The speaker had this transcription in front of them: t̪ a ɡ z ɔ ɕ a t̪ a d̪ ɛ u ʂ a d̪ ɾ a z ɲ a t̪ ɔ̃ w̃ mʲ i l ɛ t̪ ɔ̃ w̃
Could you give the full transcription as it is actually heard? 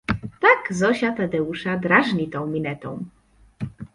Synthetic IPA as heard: t̪ a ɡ z ɔ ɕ a t̪ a d̪ ɛ u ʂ a d̪ ɾ a ʐ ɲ i t̪ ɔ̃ w̃ mʲ i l ɛ t̪ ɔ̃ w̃